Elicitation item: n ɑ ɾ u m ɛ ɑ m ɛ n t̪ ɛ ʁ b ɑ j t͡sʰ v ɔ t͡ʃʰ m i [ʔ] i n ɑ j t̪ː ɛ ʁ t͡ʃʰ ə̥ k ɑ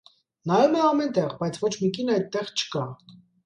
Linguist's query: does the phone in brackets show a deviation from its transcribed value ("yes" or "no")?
yes